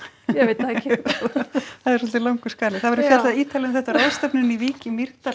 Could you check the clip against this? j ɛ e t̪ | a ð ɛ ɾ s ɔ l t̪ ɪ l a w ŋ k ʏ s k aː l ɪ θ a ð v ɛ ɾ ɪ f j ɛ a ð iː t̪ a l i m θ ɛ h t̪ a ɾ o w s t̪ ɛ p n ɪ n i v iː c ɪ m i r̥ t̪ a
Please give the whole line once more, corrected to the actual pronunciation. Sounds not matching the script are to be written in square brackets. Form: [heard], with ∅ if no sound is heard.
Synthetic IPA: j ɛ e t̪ | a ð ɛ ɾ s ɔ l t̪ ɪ l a w ŋ k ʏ s k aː l ɪ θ a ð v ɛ ɾ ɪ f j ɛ a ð iː t̪ a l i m θ ɛ h t̪ a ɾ o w s t̪ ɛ p n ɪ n i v iː c ɪ m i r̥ t̪ a

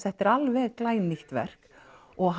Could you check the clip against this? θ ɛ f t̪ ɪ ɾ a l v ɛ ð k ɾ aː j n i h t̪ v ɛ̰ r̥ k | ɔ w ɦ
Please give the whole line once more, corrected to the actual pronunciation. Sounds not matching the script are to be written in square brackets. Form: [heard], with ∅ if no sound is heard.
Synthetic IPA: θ ɛ [h] t̪ ɪ ɾ a l v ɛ ð k [l] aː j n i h t̪ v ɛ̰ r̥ k | ɔ [ɣ] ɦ

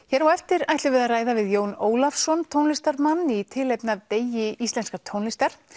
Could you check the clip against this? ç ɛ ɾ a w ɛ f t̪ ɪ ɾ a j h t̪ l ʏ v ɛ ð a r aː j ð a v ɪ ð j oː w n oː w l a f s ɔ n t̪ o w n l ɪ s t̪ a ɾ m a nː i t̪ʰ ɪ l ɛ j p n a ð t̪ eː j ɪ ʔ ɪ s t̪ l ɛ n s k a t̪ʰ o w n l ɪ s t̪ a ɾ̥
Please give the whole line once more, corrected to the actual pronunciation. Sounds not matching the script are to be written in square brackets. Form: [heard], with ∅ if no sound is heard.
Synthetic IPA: ç ɛ ɾ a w ɛ f t̪ ɪ ɾ a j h t̪ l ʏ v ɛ ð a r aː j ð a v ɪ ð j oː w n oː w l a f s ɔ n [t̪ʰ] o w n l ɪ s t̪ a ɾ m a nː i t̪ʰ ɪ l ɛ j p n a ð t̪ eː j ɪ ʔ [i] s t̪ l ɛ n s k a t̪ʰ o w n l ɪ s t̪ a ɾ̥

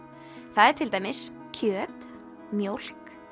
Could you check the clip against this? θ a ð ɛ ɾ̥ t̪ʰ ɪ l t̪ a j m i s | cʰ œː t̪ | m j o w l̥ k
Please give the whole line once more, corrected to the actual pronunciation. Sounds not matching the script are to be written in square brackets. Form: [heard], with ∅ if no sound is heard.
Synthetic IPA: θ a ð ɛ ɾ̥ t̪ʰ ɪ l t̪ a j m [ɪ] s | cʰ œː t̪ | m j o w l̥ k

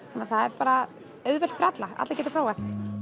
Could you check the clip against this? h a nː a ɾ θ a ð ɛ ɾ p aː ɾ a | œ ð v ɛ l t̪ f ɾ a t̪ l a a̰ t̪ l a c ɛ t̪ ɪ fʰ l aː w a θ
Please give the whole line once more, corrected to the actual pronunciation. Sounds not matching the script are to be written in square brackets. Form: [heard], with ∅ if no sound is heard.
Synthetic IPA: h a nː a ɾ θ a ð ɛ ɾ p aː ɾ a | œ ð v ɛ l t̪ f ɾ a t̪ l a a̰ t̪ l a c ɛ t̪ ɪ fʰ [ɾ] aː w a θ

